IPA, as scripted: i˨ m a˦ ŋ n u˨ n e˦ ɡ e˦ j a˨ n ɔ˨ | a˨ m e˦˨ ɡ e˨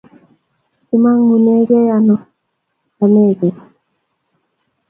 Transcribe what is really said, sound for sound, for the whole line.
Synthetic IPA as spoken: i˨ m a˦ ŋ m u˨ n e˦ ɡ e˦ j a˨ n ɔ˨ | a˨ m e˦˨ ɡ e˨